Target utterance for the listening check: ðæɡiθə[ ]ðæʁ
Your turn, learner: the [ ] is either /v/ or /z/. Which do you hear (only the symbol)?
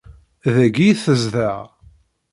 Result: z